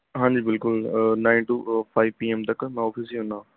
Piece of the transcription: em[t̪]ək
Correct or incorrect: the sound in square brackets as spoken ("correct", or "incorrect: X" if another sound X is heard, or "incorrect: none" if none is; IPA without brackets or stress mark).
correct